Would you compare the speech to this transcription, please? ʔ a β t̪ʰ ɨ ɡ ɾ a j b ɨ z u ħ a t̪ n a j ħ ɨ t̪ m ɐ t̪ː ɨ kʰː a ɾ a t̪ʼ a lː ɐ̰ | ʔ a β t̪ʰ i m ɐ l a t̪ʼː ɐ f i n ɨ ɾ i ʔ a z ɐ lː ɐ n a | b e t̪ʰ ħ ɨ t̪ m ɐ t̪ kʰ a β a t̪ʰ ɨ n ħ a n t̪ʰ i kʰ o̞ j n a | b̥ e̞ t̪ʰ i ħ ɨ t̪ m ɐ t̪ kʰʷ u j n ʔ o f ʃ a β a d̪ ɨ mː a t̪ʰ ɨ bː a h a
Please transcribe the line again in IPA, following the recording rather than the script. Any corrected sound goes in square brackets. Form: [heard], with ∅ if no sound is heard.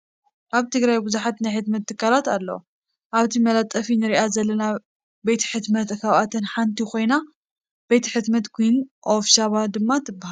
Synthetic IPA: ʔ a β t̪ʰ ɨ ɡ ɾ a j b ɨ z u ħ a t̪ n a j ħ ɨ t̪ m ɐ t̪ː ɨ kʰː a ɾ a [t̪] a lː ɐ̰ | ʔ a β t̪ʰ i m ɐ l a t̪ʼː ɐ f i n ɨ ɾ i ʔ a z ɐ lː ɐ n a | b e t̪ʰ ħ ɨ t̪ m ɐ t̪ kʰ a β a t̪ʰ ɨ n ħ a n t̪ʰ i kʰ o̞ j n a | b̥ e̞ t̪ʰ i ħ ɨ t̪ m ɐ t̪ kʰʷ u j n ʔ o f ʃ a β a d̪ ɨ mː a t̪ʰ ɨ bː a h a